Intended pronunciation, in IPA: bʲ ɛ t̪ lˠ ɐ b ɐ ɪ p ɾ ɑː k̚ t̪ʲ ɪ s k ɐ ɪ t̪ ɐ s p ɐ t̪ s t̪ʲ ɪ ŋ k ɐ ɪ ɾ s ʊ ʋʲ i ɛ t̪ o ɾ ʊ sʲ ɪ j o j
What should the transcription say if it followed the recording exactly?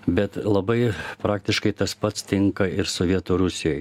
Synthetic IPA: bʲ ɛ t̪ lˠ ɐ b ɐ ɪ p ɾ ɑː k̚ t̪ʲ ɪ ʃ k ɐ ɪ t̪ ɐ s p ɐ t̪ s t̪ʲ ɪ ŋ k ɐ ɪ ɾ s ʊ ʋʲ i ɛ t̪ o ɾ ʊ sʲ ɪ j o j